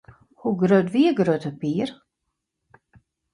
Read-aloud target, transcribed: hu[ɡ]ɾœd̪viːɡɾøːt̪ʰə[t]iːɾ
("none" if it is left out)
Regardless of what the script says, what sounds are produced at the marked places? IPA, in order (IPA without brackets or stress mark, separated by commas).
ɡ, p